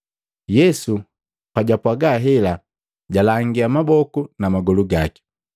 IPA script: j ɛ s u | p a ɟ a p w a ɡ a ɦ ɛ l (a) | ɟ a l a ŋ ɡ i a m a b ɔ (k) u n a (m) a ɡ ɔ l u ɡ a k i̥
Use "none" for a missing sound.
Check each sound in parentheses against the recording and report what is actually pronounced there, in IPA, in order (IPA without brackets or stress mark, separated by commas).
a, k, m